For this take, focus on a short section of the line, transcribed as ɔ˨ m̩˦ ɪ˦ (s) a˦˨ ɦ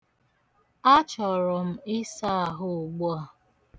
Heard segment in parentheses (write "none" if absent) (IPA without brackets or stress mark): s